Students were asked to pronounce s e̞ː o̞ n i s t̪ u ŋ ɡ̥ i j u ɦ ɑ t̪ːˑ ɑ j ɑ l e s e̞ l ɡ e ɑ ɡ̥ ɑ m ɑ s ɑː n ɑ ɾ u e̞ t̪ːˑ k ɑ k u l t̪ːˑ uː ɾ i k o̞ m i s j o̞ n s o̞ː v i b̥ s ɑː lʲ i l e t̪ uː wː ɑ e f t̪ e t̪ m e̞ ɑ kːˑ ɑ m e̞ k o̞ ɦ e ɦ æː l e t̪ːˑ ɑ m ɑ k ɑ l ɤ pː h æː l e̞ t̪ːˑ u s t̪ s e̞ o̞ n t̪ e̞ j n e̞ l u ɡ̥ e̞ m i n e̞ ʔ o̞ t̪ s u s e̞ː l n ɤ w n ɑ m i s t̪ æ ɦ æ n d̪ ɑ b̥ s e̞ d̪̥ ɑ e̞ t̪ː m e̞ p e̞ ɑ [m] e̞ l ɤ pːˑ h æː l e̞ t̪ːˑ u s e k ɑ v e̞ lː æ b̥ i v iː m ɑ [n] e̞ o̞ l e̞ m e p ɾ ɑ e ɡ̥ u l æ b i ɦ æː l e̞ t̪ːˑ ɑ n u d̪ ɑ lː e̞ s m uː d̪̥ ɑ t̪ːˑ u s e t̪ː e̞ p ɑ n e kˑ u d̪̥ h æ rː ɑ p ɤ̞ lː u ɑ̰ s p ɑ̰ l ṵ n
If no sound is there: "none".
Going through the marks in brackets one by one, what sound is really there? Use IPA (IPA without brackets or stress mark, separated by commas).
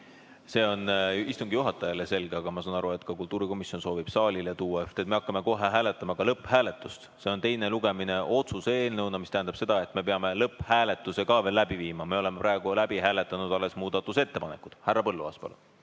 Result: m, m